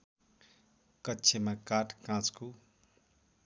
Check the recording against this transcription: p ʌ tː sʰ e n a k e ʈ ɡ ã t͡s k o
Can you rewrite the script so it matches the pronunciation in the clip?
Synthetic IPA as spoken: k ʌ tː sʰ e m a k a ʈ k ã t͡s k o